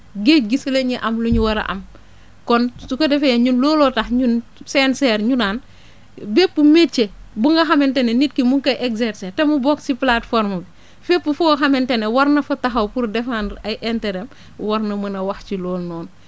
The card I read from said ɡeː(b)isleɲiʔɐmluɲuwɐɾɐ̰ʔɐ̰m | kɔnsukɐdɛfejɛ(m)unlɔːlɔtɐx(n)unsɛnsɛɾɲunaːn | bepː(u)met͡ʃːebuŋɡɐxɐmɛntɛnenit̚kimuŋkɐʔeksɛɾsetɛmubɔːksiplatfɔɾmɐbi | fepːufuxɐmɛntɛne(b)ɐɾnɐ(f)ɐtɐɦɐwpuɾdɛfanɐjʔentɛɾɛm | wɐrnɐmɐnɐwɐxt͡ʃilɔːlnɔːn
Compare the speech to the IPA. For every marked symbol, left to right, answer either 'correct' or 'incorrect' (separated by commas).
incorrect, incorrect, incorrect, correct, incorrect, correct